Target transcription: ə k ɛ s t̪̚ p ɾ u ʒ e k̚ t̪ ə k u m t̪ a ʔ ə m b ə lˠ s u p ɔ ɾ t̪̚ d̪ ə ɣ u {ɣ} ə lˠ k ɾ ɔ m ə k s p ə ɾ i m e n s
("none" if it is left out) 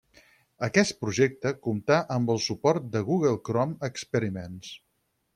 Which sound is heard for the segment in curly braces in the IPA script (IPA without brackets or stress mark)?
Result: ɣ